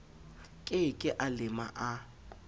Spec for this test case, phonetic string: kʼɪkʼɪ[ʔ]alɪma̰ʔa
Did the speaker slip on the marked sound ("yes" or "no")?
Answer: no